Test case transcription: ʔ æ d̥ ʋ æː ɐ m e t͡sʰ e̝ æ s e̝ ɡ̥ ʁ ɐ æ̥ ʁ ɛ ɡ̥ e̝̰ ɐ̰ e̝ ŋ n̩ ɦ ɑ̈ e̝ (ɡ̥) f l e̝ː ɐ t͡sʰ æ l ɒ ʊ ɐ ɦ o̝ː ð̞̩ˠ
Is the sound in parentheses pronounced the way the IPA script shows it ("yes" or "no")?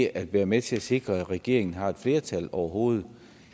no